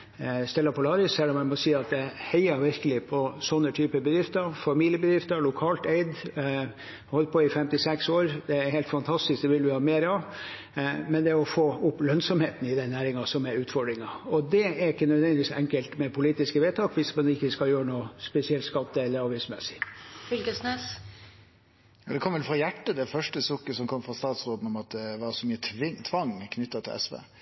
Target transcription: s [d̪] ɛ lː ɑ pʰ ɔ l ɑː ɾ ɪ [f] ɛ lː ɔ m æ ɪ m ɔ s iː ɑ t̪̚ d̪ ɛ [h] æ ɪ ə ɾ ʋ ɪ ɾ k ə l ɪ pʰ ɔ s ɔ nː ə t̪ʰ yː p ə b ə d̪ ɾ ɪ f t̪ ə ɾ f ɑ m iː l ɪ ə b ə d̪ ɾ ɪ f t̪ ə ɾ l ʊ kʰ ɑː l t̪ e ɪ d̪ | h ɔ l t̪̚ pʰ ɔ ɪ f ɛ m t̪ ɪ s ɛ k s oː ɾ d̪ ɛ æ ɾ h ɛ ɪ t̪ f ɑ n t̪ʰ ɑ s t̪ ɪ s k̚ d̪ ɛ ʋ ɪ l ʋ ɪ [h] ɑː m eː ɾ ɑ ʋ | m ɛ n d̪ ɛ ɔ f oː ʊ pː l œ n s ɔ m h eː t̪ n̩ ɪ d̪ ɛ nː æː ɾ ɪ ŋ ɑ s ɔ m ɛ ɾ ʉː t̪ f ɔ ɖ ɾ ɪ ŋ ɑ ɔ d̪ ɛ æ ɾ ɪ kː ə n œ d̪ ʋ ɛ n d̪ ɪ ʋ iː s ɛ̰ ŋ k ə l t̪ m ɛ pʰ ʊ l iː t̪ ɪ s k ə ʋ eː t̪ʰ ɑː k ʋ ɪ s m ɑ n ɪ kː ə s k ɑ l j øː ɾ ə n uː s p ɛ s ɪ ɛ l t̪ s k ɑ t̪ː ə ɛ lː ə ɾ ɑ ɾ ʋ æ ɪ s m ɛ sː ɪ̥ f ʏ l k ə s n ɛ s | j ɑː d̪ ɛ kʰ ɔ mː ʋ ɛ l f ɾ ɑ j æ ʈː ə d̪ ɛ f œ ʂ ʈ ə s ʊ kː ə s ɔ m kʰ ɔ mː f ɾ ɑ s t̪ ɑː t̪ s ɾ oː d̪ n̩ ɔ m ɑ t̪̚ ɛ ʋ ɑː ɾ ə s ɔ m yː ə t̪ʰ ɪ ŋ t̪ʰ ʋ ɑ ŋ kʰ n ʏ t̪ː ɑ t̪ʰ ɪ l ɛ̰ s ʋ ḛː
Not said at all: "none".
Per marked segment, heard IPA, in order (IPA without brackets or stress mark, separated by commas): t̪, s, h, h